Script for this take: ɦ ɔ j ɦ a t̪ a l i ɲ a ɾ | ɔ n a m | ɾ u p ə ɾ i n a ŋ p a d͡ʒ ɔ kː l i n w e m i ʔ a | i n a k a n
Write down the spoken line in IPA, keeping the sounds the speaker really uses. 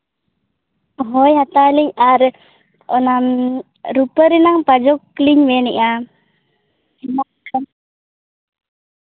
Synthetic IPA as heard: ɦ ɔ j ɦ a t̪ a l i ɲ a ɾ | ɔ n a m | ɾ u p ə ɾ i n a ŋ p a d͡ʒ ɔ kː l i ɲ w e n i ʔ a | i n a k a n